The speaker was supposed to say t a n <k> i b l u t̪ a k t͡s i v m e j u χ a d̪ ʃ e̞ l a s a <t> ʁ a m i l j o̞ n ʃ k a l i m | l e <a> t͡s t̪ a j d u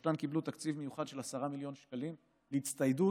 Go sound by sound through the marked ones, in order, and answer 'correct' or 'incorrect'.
correct, incorrect: none, incorrect: i

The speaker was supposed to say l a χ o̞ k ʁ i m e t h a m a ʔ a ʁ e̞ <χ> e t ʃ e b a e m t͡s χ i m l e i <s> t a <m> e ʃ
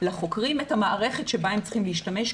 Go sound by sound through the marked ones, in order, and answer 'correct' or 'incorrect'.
correct, incorrect: ʃ, correct

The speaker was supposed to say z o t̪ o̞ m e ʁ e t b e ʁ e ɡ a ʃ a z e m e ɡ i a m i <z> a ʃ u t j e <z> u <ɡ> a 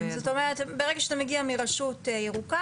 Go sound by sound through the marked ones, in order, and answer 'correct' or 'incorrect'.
incorrect: ʁ, incorrect: ʁ, incorrect: k

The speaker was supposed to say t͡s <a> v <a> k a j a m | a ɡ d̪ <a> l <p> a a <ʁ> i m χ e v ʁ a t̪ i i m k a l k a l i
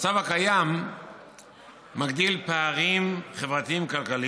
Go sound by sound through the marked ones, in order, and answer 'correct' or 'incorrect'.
correct, correct, incorrect: i, correct, correct

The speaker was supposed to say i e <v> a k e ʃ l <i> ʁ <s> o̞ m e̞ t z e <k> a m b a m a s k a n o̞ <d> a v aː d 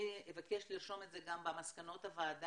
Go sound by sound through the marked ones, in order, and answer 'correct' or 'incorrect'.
correct, correct, incorrect: ʃ, incorrect: ɡ, incorrect: t

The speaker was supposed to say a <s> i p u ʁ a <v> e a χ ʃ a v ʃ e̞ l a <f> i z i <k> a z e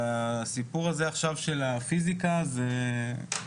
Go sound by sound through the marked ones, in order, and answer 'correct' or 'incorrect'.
correct, incorrect: z, correct, correct

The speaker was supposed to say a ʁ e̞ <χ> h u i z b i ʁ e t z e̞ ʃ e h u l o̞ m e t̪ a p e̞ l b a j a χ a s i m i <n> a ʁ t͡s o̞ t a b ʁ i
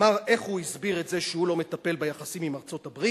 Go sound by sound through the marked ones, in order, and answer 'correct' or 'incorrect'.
correct, incorrect: m

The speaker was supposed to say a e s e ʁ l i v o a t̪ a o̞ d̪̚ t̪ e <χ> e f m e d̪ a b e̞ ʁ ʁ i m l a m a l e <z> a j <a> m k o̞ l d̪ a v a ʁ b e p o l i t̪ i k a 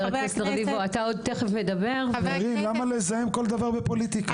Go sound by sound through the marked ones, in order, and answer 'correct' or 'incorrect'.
correct, correct, incorrect: e

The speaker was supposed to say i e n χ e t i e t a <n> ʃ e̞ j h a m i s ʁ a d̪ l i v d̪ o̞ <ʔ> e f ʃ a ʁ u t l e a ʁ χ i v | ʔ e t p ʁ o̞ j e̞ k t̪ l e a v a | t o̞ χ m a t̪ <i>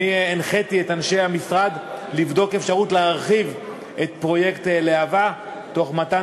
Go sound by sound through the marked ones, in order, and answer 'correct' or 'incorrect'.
correct, incorrect: k, incorrect: a

